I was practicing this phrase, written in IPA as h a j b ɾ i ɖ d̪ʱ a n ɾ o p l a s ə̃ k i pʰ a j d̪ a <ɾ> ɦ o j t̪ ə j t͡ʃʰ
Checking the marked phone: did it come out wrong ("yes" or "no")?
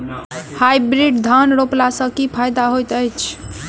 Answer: yes